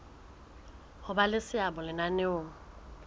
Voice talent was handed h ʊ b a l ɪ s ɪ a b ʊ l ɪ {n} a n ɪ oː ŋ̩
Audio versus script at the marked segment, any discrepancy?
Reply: no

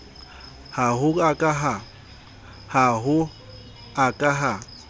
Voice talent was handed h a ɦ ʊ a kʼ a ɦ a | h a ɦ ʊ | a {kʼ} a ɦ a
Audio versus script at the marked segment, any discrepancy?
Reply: no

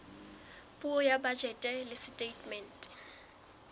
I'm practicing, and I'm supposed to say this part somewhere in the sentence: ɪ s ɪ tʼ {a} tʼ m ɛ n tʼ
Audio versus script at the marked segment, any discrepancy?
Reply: yes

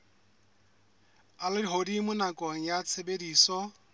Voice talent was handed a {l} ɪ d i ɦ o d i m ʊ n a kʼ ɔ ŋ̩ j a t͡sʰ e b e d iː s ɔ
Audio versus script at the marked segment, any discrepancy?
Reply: no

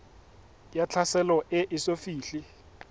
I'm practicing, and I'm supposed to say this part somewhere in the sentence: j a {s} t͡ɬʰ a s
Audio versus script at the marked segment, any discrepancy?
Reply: yes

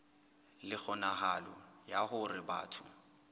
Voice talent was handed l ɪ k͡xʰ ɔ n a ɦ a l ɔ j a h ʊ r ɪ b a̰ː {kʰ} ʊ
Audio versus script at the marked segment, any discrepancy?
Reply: yes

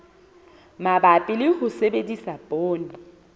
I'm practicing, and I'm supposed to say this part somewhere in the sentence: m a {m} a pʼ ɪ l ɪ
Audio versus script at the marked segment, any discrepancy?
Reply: yes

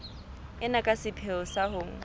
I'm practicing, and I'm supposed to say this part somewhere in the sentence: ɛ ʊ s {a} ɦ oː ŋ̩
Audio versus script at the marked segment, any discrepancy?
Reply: no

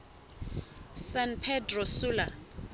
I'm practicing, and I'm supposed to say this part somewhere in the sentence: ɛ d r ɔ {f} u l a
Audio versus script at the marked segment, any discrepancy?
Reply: yes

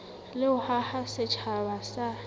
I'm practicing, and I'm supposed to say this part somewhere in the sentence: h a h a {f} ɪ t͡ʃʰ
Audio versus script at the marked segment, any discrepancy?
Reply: yes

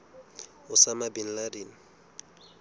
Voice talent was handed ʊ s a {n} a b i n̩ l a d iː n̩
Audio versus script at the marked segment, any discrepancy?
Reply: yes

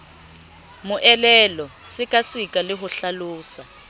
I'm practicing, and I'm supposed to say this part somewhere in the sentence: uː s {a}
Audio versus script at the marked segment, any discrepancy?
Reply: no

